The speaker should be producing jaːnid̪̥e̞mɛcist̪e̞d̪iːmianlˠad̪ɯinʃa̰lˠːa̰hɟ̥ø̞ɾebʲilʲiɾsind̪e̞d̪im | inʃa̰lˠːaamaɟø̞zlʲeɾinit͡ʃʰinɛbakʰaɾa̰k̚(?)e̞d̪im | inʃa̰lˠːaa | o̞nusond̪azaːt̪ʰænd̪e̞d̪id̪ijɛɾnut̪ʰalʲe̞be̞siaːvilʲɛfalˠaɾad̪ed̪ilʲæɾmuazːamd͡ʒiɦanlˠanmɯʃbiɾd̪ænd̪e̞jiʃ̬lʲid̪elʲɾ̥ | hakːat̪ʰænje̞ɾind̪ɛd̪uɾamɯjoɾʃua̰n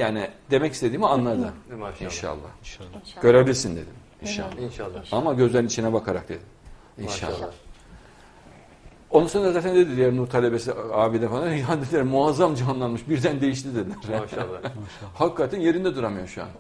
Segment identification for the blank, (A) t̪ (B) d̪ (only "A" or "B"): B